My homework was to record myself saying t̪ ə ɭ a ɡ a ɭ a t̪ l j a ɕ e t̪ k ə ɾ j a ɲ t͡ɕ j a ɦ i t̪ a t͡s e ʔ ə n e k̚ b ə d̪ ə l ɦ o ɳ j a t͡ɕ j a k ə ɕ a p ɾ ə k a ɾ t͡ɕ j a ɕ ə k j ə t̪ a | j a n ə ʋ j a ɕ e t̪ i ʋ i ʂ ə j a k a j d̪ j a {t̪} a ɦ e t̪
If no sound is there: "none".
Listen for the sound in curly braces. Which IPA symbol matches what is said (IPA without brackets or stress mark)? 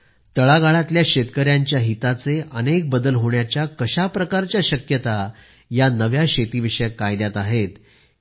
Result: t̪